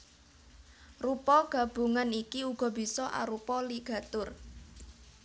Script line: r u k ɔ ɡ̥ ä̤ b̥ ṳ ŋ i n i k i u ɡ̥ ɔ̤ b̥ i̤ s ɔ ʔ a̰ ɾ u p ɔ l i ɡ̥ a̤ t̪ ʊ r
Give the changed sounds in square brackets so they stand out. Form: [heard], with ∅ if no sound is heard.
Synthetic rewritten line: r u [p] ɔ ɡ̥ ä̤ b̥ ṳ ŋ [a] n i k i u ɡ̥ ɔ̤ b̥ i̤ s ɔ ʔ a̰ ɾ u p ɔ l i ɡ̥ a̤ t̪ ʊ r